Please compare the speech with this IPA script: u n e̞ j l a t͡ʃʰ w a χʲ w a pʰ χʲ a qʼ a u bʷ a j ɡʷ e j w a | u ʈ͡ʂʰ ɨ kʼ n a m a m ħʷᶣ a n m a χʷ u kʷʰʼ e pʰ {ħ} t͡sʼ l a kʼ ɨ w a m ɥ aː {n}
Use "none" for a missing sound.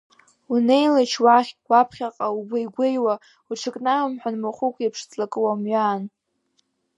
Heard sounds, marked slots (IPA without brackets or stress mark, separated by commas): ʂ, n